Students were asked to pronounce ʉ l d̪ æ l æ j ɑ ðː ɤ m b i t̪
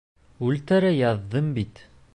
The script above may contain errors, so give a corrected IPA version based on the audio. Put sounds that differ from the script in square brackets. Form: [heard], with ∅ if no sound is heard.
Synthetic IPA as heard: ʉ l [t̪] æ [ɾ] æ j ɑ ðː ɤ m b i t̪